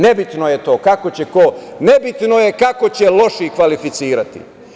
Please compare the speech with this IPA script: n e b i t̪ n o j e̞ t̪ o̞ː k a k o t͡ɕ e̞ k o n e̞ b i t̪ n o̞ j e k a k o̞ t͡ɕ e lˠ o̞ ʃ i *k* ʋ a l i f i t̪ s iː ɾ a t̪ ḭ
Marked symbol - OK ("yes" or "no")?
yes